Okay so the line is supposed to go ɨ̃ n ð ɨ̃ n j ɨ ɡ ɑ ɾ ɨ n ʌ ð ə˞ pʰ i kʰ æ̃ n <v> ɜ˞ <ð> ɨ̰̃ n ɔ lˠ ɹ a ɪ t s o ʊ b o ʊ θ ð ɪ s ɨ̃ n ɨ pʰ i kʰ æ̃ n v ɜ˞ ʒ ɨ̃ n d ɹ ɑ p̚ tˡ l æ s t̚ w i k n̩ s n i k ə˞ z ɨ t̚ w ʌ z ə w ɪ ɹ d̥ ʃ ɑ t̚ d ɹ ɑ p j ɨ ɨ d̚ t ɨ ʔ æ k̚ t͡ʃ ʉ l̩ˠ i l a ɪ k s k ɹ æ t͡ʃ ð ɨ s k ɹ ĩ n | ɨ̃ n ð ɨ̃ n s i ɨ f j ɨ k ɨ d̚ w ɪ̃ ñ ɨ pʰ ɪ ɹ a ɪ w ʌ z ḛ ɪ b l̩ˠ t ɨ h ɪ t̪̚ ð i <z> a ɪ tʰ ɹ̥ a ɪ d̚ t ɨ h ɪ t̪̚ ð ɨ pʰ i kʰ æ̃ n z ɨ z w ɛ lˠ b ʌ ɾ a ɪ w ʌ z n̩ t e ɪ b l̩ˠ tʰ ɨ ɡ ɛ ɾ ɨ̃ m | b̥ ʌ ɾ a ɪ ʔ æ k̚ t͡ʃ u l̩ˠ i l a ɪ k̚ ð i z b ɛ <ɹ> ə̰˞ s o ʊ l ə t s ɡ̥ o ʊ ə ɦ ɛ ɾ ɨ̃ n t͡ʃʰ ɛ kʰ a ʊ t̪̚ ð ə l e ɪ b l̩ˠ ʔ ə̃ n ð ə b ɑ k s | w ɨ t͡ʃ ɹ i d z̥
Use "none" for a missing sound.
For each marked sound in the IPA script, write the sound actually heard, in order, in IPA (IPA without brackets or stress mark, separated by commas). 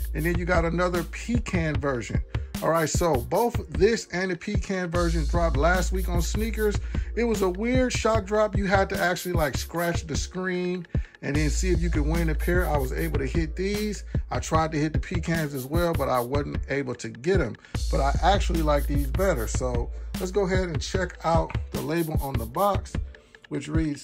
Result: v, ʒ, z, ɾ